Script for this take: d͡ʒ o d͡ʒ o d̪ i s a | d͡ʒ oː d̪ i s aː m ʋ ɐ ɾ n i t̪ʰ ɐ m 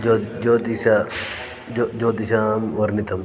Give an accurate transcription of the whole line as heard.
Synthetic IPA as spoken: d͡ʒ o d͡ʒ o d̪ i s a | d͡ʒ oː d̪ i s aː m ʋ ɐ ɾ n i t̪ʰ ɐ m